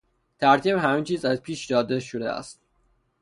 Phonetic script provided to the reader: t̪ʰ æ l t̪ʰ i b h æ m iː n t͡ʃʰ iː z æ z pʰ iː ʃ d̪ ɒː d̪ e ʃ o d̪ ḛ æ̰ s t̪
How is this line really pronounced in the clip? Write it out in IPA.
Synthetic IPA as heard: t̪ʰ æ ɾ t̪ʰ i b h æ m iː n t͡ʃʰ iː z æ z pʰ iː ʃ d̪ ɒː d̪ e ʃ o d̪ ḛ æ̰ s t̪